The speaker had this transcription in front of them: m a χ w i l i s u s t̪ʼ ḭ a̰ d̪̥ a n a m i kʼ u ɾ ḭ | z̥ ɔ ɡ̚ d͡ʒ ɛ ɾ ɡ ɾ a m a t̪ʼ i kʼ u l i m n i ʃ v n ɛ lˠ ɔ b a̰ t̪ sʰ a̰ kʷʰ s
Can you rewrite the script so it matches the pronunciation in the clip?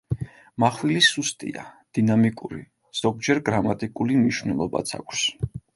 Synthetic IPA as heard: m a χ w i l i s u s t̪ʼ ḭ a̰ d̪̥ i n a m i kʼ u ɾ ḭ | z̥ ɔ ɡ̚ d͡ʒ ɛ ɾ ɡ ɾ a m a t̪ʼ i kʼ u l i m n i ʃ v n ɛ lˠ ɔ b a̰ t̪ sʰ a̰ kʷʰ s